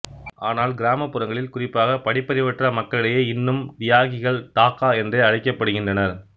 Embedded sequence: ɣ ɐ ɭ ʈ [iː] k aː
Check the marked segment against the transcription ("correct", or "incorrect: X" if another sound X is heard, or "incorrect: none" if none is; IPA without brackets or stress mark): incorrect: aː